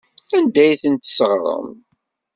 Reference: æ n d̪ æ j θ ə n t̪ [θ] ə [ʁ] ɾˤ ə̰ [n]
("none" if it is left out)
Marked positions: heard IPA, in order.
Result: s, ʁ, m

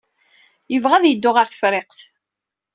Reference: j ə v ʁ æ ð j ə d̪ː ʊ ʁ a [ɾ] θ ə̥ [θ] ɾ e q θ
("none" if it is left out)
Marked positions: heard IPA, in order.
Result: ɾ, f

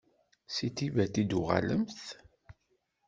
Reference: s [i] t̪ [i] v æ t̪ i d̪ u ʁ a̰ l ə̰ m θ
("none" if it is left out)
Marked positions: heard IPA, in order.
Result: i, i

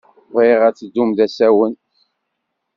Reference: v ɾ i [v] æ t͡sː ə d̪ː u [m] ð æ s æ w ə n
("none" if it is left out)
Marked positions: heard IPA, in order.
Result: ʁ, m

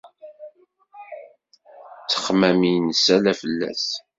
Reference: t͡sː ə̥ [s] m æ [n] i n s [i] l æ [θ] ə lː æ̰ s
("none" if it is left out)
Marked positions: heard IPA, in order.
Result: χ, m, æ, f

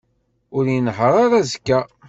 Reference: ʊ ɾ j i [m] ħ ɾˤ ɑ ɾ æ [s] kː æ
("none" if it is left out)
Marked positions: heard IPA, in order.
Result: n, z

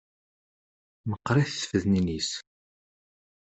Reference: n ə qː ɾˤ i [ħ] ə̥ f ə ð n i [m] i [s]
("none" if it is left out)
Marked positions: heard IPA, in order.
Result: θ, n, s

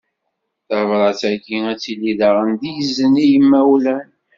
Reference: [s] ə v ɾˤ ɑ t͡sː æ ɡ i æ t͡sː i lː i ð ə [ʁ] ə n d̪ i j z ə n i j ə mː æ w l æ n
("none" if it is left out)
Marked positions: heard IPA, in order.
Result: θ, ʁ

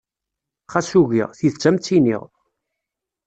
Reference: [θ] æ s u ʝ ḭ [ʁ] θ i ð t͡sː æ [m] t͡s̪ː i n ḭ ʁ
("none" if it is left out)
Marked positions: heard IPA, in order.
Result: χ, ʁ, m

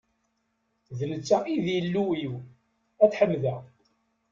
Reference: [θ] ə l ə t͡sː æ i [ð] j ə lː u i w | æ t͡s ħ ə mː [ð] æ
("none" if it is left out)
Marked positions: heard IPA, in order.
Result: ð, ð, ð

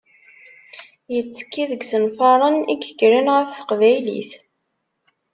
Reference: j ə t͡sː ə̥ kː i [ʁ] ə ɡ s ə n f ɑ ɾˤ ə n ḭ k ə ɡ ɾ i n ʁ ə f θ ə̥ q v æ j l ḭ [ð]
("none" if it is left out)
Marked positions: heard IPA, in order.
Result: ð, θ

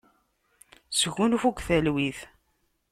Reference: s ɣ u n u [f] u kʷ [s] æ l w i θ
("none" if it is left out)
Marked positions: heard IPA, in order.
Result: f, θ

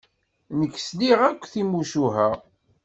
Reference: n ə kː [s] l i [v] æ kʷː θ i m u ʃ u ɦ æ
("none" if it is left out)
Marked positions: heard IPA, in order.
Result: s, ʁ

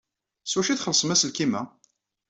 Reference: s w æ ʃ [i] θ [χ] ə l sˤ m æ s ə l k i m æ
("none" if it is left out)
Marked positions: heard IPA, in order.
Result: i, χ

